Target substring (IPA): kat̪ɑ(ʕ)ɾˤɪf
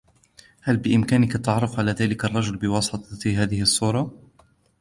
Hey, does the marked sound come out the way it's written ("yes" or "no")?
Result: yes